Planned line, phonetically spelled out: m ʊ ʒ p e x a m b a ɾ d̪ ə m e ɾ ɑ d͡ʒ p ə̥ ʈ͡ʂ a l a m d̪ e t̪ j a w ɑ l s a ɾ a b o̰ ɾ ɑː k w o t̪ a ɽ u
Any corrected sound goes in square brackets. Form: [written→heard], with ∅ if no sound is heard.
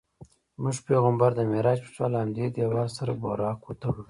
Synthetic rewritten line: m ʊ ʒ p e [x→ɣ] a m b a ɾ d̪ ə m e ɾ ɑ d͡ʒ p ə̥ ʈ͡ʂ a l a m d̪ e [t̪→d̪] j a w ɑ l s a ɾ a b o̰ ɾ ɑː k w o t̪ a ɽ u

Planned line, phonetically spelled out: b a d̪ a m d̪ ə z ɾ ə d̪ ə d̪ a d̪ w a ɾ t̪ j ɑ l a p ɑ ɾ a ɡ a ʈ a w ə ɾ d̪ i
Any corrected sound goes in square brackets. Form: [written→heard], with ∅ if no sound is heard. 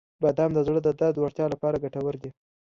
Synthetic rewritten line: b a d̪ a m d̪ ə z [ɾ→ɽ] ə d̪ ə d̪ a d̪ w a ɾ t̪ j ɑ l a p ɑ ɾ a ɡ a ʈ a w ə ɾ d̪ i

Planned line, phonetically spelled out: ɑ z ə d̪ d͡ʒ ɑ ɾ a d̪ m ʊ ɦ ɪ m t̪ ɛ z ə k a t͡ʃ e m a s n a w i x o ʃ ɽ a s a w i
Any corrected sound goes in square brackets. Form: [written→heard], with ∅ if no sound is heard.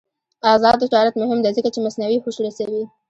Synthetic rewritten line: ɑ z [ə→ɑ] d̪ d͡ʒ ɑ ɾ a [d̪→t̪] m ʊ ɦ ɪ m [t̪→d̪] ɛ z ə k a t͡ʃ e m a s n a w i x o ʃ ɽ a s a w i

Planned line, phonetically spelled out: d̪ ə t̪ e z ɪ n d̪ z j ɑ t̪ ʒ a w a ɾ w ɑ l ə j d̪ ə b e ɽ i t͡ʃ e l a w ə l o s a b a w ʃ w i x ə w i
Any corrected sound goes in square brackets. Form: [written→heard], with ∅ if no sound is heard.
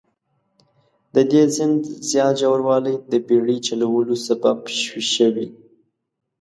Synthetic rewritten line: d̪ ə [t̪→d̪] e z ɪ n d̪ z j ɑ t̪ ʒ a w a ɾ w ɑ l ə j d̪ ə b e ɽ i t͡ʃ [e→a] l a w ə l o s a b a [w→b] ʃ w i [x→ʃ] ə w i

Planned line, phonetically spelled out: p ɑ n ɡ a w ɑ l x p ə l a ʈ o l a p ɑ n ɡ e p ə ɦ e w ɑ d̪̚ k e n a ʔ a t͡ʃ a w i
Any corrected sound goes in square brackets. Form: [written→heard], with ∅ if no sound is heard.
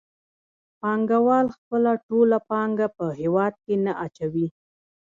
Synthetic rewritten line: p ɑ [n→ŋ] ɡ a w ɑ l x p ə l a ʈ o l a p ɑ [n→ŋ] ɡ [e→a] p ə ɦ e w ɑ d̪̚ k e n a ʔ a t͡ʃ a w i

